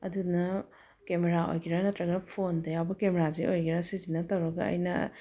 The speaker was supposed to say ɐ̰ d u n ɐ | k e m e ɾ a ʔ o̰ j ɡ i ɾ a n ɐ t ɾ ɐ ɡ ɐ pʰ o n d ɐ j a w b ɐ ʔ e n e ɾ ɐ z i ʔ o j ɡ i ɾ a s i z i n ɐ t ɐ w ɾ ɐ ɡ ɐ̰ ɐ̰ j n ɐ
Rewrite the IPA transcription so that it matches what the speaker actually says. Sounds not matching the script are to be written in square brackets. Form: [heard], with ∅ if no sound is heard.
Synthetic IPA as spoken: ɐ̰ d u n ɐ | k e m e ɾ a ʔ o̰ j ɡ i ɾ a n ɐ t ɾ ɐ ɡ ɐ pʰ o n d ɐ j a w b ɐ [k] e [m] e ɾ [a] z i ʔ o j ɡ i ɾ a s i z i n ɐ t ɐ w ɾ ɐ ɡ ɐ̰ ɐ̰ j n ɐ

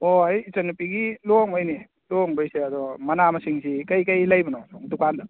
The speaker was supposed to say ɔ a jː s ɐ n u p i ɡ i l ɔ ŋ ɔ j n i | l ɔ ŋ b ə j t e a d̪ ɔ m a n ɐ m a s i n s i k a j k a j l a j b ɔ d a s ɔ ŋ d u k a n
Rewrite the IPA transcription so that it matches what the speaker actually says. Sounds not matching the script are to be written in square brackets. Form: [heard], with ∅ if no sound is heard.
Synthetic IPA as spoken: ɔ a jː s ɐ n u p i ɡ i l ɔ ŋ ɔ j n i | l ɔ ŋ b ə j [s] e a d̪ ɔ m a n [a] m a s i [ŋ] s i k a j k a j l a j b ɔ [n] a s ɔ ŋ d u k a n

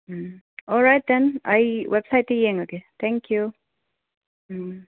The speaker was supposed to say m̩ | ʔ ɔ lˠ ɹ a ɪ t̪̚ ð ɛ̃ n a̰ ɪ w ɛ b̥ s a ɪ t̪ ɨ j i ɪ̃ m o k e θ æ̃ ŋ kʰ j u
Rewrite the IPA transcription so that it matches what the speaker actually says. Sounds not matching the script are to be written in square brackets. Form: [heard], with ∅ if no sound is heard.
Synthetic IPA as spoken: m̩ | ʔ ɔ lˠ ɹ a ɪ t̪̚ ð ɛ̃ n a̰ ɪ w ɛ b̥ s a ɪ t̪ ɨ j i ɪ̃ [ŋ] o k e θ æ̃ ŋ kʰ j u

